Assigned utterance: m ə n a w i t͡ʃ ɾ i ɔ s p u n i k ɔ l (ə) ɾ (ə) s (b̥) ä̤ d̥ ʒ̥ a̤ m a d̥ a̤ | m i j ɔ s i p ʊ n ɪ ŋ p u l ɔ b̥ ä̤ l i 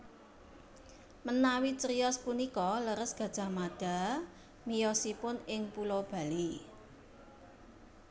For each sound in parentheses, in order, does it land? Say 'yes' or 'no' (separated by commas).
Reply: yes, yes, no